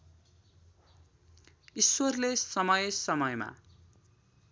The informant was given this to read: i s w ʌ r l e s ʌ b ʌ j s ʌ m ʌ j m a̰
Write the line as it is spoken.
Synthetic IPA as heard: i s w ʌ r l e s ʌ m ʌ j s ʌ m ʌ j m a̰